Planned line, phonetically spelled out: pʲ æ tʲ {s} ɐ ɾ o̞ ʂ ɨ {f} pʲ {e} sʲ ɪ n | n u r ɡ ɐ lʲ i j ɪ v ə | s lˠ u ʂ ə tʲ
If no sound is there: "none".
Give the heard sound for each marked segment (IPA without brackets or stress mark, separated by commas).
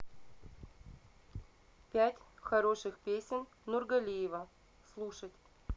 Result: x, x, e